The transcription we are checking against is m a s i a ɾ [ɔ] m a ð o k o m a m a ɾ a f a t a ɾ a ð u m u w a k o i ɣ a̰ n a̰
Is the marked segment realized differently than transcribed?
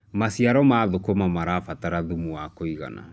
no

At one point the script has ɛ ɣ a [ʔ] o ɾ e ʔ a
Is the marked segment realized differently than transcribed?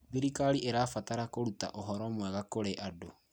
yes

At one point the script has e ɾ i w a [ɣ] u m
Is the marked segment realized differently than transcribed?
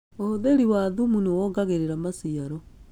yes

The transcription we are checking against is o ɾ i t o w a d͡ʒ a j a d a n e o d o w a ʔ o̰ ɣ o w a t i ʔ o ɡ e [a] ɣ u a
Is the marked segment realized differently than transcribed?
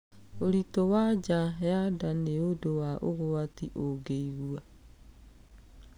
yes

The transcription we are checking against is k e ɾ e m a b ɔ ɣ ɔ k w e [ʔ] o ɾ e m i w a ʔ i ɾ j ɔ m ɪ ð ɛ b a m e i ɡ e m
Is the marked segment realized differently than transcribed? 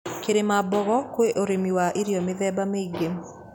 no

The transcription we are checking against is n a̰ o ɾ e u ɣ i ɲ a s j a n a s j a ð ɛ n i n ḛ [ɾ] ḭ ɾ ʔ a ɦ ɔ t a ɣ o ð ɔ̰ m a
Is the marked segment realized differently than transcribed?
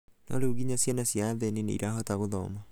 yes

